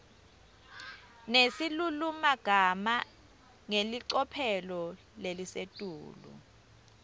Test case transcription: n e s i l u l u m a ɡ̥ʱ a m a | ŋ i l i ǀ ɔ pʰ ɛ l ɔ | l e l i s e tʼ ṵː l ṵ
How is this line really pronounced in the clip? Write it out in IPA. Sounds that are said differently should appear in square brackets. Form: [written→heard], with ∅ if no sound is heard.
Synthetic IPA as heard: n e s i l u l u m a ɡ̥ʱ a m a | ŋ [i→e] l i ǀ ɔ pʰ ɛ l ɔ | l e l i s e tʼ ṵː l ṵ